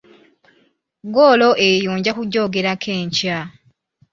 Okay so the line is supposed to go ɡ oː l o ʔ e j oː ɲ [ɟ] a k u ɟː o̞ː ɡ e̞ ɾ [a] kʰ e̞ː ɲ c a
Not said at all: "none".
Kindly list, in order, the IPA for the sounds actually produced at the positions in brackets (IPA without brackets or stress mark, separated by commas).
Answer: ɟ, a